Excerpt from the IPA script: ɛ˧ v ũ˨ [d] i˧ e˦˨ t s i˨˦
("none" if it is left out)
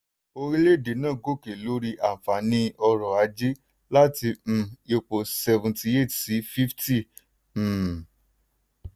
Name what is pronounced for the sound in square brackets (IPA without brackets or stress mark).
t